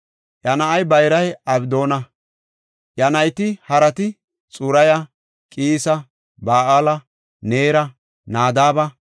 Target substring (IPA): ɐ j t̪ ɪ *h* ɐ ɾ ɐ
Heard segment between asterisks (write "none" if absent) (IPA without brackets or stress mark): h